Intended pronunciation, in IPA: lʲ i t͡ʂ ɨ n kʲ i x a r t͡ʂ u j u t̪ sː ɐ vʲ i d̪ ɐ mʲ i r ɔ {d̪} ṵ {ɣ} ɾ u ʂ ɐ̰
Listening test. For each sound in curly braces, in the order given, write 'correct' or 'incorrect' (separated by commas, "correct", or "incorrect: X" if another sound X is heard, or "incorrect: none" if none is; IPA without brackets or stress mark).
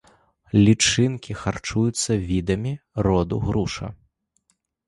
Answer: correct, correct